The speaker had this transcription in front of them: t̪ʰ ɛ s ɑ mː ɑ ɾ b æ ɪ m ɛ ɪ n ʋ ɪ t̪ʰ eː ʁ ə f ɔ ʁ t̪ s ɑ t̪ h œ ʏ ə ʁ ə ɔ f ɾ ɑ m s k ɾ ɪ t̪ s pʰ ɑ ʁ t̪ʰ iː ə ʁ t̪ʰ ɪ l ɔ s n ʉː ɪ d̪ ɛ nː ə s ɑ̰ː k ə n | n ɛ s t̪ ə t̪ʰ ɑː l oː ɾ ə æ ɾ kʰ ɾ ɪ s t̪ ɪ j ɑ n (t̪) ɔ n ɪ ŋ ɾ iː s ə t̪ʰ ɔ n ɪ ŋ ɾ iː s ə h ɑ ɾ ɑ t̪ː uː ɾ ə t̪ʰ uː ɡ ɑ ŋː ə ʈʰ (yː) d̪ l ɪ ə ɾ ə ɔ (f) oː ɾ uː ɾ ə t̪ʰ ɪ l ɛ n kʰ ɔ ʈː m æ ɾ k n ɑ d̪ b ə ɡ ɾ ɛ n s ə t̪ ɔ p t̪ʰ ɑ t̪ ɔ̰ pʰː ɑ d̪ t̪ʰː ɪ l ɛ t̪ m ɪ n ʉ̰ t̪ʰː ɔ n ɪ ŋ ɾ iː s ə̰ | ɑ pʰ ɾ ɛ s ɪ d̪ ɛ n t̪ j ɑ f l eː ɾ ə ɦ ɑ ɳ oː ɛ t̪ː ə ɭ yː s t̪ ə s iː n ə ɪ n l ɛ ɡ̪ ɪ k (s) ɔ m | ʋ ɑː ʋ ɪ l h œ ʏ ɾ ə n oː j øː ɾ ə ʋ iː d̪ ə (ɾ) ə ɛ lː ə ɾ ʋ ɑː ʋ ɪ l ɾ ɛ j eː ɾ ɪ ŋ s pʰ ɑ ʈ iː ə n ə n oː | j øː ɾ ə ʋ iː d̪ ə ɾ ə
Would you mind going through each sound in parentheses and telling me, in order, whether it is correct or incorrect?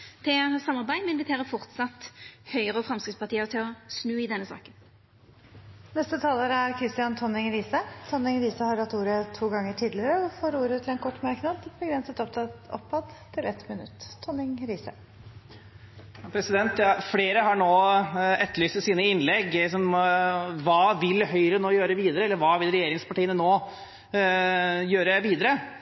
incorrect: t̪ʰ, incorrect: iː, correct, correct, correct

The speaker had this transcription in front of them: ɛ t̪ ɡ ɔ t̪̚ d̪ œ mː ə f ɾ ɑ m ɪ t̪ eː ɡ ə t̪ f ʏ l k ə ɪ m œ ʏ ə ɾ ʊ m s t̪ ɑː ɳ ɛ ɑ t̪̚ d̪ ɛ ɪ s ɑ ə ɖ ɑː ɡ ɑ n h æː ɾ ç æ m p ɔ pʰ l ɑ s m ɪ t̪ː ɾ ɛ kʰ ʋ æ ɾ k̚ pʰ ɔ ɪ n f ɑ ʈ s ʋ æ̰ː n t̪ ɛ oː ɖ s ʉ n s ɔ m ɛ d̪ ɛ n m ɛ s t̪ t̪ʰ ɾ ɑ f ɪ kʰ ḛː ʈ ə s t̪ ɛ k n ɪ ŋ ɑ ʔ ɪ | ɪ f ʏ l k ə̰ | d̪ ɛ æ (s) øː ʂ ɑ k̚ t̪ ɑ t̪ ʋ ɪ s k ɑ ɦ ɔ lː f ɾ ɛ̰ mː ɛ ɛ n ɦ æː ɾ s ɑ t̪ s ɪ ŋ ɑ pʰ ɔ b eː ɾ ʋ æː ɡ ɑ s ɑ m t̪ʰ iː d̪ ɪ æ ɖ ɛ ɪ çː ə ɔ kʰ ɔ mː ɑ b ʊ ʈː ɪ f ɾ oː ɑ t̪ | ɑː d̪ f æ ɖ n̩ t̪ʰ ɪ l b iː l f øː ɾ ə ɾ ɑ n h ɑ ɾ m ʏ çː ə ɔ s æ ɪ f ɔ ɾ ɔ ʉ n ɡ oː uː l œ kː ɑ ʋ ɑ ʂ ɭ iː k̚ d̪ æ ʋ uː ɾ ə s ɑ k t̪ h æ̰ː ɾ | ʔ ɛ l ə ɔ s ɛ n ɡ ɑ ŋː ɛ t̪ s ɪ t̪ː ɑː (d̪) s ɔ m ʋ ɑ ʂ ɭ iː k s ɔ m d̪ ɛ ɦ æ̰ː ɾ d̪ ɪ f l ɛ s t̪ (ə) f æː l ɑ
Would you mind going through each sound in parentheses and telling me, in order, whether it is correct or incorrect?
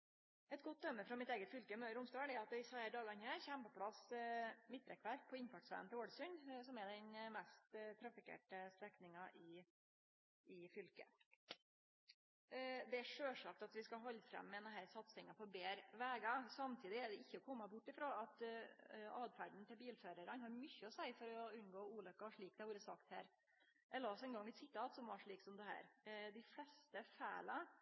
incorrect: ʂ, incorrect: t̪, correct

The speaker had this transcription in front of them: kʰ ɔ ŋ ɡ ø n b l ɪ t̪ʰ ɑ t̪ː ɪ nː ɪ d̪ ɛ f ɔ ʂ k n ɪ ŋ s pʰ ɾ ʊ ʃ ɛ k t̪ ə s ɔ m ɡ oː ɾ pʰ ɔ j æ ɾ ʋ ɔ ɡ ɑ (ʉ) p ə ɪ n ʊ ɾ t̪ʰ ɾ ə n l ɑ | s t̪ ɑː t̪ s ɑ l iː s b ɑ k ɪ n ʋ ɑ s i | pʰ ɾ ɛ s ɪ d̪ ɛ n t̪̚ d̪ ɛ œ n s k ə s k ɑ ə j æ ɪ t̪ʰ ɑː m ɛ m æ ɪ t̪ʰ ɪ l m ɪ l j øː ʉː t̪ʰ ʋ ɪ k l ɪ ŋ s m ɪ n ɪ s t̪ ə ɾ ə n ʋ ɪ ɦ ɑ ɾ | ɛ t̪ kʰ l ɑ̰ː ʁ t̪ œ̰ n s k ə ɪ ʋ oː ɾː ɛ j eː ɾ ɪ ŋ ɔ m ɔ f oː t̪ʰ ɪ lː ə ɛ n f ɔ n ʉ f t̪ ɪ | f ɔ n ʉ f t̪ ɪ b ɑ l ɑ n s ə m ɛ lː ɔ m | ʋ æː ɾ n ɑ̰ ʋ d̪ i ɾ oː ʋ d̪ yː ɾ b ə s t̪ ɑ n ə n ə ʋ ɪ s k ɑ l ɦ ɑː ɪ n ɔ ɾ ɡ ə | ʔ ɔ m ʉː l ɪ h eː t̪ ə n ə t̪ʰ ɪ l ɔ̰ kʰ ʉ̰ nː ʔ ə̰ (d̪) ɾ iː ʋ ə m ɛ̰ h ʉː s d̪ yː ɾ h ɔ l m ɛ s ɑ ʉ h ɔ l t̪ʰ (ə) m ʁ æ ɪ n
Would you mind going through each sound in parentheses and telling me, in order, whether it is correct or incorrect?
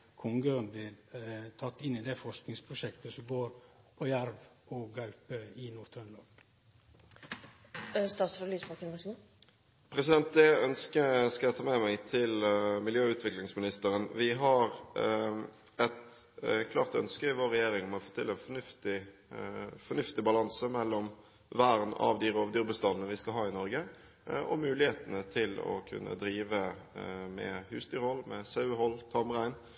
correct, correct, incorrect: ɑ

